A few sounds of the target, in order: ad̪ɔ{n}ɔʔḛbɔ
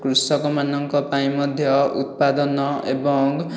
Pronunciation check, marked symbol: correct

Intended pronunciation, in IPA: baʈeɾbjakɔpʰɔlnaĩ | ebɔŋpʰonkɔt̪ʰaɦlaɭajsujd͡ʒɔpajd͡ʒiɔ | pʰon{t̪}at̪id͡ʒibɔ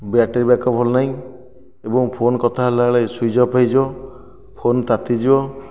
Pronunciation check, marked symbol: correct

